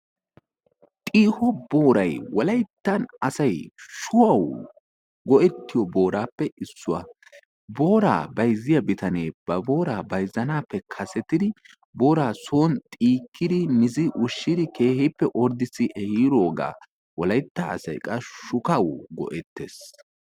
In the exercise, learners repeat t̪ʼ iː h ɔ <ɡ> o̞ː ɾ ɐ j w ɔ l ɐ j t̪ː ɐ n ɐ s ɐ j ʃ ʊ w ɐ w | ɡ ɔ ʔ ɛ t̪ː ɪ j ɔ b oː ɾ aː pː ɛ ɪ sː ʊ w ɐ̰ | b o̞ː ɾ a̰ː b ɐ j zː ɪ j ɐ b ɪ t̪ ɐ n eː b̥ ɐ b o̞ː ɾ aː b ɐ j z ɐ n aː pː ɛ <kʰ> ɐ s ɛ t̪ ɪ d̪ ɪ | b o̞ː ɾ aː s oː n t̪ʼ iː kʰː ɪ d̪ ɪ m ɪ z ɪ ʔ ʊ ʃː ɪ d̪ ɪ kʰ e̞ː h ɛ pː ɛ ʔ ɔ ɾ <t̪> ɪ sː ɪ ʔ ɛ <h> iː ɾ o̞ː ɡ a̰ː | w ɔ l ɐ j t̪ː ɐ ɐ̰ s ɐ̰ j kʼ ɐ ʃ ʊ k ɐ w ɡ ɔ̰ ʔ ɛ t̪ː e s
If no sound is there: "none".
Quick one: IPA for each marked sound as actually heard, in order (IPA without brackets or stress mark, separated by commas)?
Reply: b, kʰ, d̪, h